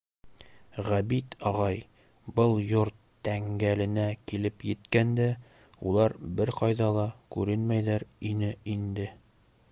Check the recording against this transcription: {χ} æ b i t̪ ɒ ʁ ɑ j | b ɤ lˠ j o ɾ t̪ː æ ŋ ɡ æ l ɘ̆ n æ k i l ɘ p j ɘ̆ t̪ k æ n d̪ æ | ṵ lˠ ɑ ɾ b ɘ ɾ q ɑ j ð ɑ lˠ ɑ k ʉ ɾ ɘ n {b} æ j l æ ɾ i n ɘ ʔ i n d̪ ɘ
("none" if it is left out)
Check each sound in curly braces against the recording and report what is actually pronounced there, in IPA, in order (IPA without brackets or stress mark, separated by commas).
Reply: ʁ, m